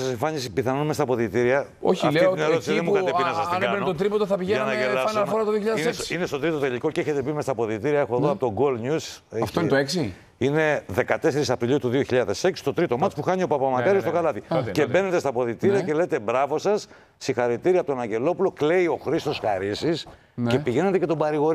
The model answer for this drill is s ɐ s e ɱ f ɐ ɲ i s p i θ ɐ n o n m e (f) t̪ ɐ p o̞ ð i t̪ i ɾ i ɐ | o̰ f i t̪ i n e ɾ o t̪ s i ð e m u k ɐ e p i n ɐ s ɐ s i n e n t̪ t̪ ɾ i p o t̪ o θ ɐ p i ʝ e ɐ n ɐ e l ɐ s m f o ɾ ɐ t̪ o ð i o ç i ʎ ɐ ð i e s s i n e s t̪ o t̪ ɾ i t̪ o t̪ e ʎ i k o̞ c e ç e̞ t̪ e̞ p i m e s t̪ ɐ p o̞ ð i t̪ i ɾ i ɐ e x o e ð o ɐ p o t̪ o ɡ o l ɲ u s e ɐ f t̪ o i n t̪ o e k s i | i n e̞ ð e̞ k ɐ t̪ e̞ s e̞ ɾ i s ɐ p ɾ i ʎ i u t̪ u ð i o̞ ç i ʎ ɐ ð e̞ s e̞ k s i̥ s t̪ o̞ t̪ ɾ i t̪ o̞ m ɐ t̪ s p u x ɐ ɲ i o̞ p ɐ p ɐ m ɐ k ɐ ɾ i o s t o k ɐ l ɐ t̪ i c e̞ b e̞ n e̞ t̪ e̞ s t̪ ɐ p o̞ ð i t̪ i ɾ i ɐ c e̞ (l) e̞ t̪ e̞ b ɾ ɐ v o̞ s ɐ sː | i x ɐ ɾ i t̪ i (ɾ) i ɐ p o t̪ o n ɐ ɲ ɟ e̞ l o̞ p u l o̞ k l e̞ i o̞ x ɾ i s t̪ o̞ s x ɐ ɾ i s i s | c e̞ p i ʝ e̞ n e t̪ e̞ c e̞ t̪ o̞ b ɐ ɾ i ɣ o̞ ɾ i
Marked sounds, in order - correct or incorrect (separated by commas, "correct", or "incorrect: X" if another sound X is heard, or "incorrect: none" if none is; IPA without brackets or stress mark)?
incorrect: s, correct, correct